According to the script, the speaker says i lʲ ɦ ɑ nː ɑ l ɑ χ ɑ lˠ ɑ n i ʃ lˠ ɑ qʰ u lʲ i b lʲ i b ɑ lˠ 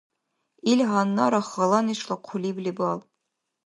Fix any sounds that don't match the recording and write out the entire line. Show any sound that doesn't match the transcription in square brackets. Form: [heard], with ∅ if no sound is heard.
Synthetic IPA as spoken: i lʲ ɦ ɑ nː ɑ [ɾ] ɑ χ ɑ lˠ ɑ n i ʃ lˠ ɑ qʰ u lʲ i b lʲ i b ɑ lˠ